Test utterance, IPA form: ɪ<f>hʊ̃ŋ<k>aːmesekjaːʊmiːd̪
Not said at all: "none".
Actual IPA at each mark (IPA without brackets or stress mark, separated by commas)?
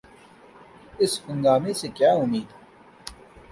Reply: s, ɡ